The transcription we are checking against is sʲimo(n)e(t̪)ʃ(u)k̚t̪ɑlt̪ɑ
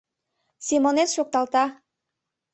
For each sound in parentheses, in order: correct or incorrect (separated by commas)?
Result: correct, correct, incorrect